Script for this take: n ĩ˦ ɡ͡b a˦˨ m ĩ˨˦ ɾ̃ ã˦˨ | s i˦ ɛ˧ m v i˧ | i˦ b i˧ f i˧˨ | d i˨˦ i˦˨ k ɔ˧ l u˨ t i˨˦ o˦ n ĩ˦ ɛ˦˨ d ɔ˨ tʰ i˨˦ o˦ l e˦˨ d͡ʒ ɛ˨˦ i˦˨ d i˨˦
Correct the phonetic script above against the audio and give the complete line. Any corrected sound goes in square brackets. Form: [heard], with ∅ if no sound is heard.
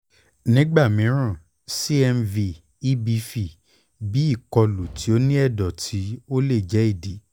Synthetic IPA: n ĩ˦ ɡ͡b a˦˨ m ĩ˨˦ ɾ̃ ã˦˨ | s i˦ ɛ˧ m v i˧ | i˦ b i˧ f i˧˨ | [b] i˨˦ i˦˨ k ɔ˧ l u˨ t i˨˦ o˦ n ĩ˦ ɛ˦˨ d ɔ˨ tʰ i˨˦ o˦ l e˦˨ d͡ʒ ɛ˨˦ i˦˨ d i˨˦